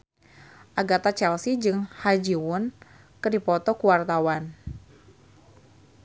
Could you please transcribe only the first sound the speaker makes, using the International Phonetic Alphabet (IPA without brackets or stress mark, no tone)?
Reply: ʔ